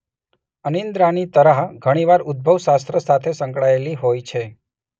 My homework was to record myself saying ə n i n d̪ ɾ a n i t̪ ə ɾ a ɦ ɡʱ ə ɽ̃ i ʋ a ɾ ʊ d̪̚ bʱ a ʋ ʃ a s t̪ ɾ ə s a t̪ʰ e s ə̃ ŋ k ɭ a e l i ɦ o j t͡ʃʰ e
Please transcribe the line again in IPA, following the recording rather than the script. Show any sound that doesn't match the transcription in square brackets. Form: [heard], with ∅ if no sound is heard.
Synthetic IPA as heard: ə n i n d̪ ɾ a n i t̪ ə ɾ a ɦ ɡʱ ə ɽ̃ i ʋ a ɾ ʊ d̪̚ bʱ [ə] ʋ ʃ a s t̪ ɾ ə s a t̪ʰ e s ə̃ ŋ k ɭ a e l i ɦ o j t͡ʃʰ e